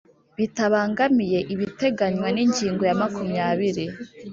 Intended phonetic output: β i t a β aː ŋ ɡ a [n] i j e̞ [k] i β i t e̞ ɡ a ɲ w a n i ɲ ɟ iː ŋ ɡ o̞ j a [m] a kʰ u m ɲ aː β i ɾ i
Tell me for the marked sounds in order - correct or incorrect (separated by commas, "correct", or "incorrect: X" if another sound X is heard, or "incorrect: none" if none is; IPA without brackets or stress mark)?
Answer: incorrect: m, incorrect: ʔ, correct